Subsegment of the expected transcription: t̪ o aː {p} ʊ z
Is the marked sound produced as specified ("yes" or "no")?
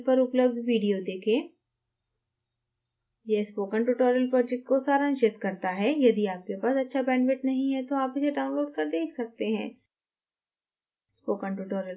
yes